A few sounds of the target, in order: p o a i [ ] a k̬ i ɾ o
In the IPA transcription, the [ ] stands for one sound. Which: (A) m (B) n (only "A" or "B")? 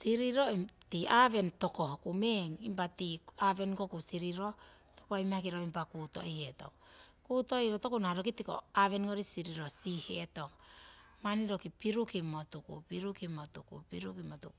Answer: A